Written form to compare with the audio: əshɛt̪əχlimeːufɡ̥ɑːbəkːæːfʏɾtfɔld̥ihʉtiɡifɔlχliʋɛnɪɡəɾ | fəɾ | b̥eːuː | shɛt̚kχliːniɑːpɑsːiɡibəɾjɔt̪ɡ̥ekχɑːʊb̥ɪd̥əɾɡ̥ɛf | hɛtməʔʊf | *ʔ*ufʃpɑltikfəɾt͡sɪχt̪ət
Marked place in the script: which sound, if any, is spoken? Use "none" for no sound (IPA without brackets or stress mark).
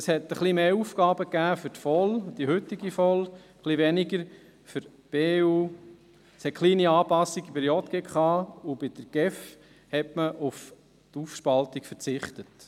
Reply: t